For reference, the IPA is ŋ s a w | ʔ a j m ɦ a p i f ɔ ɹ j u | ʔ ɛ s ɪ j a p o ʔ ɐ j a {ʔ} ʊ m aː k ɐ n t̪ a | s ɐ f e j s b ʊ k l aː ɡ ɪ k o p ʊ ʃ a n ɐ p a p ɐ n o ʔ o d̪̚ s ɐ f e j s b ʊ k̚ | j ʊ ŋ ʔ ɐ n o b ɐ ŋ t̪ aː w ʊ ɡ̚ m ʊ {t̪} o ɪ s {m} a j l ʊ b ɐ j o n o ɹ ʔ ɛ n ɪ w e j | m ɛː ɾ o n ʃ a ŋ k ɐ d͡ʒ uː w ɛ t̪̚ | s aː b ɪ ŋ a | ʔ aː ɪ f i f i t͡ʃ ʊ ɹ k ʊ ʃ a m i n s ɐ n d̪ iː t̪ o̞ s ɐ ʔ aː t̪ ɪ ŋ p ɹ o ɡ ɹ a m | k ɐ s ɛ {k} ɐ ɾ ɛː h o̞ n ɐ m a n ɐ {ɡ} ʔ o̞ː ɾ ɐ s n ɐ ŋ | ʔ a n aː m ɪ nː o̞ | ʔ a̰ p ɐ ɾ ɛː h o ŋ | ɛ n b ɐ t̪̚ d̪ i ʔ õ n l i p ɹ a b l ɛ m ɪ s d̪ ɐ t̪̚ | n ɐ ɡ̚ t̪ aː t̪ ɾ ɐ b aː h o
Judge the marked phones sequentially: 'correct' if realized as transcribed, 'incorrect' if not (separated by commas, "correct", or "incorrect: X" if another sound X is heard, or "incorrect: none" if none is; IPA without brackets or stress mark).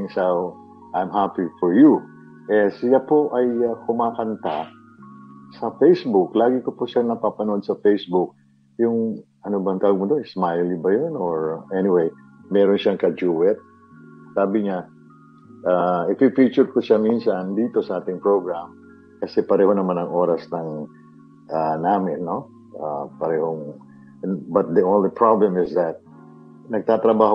incorrect: k, incorrect: d̪, correct, incorrect: p, incorrect: ŋ